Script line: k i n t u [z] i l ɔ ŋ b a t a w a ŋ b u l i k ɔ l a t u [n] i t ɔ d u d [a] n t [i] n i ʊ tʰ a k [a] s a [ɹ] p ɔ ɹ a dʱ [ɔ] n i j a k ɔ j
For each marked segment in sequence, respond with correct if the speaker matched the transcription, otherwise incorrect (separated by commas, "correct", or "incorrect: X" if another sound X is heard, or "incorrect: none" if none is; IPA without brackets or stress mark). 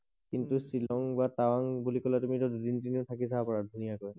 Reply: incorrect: s, incorrect: m, incorrect: i, correct, incorrect: i, incorrect: none, incorrect: u